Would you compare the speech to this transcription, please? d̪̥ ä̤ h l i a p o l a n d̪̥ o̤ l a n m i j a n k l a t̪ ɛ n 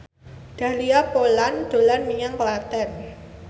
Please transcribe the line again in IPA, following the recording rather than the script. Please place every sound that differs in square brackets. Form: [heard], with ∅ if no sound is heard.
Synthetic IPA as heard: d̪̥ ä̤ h l i a p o l a n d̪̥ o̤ l a n m i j a [ŋ] k l a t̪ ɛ n